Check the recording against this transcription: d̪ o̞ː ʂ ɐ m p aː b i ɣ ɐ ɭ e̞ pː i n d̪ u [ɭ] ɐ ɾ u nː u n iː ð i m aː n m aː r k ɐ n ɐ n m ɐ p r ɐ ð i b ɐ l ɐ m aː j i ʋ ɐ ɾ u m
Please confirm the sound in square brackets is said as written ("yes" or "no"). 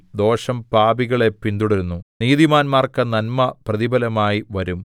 no